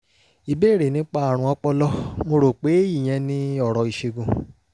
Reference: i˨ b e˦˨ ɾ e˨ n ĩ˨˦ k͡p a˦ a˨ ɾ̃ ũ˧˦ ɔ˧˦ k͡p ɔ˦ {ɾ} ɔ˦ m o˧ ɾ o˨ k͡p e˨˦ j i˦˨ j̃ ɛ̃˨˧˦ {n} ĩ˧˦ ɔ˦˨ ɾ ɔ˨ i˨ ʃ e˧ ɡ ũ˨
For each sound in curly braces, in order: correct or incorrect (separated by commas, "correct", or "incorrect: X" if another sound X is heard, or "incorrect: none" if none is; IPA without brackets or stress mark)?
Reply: incorrect: l, correct